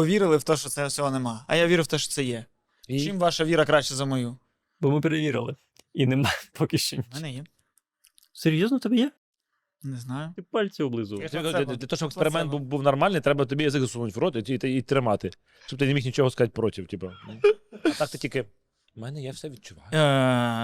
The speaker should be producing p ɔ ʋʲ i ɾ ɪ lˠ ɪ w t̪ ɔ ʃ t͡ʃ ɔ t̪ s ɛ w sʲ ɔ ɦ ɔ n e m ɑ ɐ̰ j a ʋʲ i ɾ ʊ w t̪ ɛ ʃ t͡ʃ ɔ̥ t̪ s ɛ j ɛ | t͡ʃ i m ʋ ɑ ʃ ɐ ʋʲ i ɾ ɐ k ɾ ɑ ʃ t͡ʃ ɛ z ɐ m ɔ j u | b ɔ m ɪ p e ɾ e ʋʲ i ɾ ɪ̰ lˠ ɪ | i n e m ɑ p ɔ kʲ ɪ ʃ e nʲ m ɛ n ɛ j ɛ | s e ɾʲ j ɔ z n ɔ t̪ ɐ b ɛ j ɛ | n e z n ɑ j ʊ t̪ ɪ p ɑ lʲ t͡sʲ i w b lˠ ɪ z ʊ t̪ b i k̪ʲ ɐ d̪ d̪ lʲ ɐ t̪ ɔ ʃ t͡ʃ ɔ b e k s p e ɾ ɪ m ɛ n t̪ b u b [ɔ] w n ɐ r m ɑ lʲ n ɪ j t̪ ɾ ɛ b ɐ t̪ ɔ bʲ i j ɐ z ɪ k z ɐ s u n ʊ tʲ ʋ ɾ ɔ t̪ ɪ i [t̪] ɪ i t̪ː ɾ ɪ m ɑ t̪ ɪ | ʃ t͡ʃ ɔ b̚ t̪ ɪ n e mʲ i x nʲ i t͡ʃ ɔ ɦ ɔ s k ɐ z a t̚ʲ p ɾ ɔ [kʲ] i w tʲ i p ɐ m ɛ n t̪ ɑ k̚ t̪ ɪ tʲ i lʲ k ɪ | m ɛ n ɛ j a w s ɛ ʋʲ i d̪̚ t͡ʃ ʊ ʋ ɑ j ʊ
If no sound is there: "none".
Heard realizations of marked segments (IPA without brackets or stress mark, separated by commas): u, t̪, tʲ